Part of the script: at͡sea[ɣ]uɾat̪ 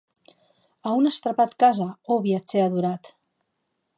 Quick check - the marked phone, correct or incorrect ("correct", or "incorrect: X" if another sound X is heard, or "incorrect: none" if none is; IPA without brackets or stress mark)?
incorrect: ð